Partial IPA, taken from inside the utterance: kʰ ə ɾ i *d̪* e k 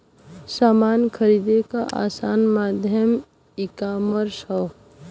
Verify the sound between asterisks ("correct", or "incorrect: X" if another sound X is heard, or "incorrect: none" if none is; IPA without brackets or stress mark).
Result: correct